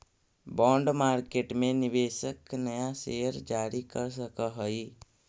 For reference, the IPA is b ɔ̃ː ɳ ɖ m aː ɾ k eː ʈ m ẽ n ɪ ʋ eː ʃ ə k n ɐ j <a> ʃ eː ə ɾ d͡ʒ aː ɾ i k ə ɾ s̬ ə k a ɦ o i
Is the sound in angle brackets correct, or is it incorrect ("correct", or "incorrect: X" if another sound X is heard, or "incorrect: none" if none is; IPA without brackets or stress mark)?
correct